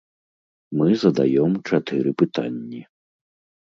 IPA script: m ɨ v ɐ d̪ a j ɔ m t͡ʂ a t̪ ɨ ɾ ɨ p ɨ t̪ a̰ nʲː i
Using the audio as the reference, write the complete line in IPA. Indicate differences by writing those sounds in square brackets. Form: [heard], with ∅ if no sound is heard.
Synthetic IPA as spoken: m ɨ [z] ɐ d̪ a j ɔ m t͡ʂ a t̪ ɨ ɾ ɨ p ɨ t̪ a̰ nʲː i

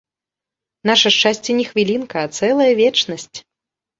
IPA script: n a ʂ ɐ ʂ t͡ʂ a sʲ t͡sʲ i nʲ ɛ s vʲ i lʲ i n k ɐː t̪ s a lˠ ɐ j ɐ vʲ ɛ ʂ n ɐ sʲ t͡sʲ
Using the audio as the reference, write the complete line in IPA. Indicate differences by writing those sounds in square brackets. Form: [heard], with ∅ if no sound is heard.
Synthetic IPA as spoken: n a ʂ ɐ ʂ t͡ʂ a sʲ t͡sʲ [ɛ] nʲ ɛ [x] vʲ i lʲ i n k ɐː t̪ s [ɛ] lˠ ɐ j ɐ vʲ ɛ [t͡ʂ] n ɐ sʲ t͡sʲ

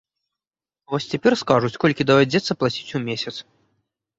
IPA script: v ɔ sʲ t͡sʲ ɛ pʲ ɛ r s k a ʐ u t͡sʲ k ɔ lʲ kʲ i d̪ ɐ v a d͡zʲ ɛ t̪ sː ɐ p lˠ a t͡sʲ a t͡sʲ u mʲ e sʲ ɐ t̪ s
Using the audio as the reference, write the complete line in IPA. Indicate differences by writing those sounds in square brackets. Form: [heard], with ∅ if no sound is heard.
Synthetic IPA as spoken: v ɔ sʲ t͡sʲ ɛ pʲ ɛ r s k a ʐ u t͡sʲ k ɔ lʲ kʲ i d̪ ɐ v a d͡zʲ ɛ t̪ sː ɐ p lˠ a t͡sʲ [i] t͡sʲ u mʲ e sʲ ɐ t̪ s

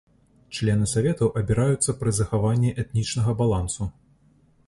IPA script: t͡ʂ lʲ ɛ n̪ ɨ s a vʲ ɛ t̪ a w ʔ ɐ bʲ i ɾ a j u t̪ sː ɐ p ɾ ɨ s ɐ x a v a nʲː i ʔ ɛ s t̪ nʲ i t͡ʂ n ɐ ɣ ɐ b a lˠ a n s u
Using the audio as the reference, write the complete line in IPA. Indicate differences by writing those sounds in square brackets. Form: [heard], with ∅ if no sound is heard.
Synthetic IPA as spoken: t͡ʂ lʲ ɛ n̪ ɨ s a vʲ ɛ t̪ [ɐ] w ʔ ɐ bʲ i ɾ a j u t̪ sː ɐ p ɾ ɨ [z] ɐ x a v a nʲː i ʔ ɛ [∅] t̪ nʲ i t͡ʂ n ɐ ɣ ɐ b a lˠ a n s u

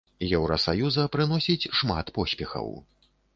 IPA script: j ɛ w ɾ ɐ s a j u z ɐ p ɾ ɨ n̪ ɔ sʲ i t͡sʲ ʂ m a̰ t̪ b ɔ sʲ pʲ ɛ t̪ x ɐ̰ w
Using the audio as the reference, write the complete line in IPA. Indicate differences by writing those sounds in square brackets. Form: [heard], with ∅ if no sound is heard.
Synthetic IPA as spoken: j ɛ w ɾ ɐ s a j u z ɐ p ɾ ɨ n̪ ɔ sʲ i t͡sʲ ʂ m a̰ t̪ [p] ɔ sʲ pʲ ɛ [∅] x ɐ̰ w

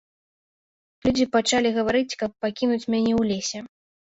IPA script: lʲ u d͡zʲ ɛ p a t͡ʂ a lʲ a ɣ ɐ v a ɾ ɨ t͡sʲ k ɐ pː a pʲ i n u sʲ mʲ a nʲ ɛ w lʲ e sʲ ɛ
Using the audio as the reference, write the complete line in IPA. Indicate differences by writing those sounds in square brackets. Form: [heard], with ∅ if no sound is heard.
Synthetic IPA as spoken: lʲ u d͡zʲ [i] p a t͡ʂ a lʲ [i] ɣ ɐ v a ɾ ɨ t͡sʲ k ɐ pː a [kʲ] i n u [t͡sʲ] mʲ a nʲ ɛ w lʲ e sʲ ɛ

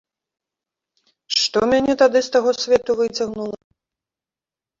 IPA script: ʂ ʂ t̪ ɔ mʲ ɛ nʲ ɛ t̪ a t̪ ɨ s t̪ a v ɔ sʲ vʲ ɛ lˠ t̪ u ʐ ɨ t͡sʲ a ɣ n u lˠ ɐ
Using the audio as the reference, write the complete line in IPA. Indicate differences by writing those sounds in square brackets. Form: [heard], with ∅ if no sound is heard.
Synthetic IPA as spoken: ʂ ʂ t̪ ɔ mʲ [a] nʲ ɛ t̪ a [d̪] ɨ s t̪ a [ɣ] ɔ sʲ vʲ ɛ [∅] t̪ u [v] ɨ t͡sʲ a ɣ n u lˠ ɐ

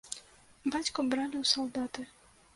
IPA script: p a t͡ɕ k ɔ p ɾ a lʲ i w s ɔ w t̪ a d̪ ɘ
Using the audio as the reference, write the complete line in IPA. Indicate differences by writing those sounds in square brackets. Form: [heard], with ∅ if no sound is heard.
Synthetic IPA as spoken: [b] a t͡ɕ k ɔ [b] ɾ a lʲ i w s ɔ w [d̪] a [t̪] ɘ

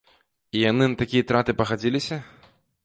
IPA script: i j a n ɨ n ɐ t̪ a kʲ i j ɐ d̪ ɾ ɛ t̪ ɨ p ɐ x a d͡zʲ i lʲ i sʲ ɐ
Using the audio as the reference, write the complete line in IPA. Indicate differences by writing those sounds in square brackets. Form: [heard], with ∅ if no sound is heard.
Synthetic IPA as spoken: i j a n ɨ n ɐ t̪ a kʲ i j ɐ [t̪] ɾ [a] t̪ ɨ p ɐ [ɣ] a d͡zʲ i lʲ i sʲ ɐ

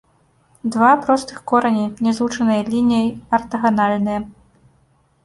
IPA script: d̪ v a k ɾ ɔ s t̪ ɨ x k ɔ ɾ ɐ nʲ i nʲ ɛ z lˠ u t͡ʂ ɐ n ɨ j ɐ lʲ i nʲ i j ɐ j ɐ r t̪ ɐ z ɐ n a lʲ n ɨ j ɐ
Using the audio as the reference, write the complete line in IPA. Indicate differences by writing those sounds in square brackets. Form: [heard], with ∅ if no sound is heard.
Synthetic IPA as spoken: d̪ v a [p] ɾ ɔ s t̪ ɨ x k ɔ ɾ ɐ nʲ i nʲ ɛ z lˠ u t͡ʂ ɐ n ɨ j ɐ lʲ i nʲ i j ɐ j ɐ r t̪ ɐ [ɣ] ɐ n a lʲ n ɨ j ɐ

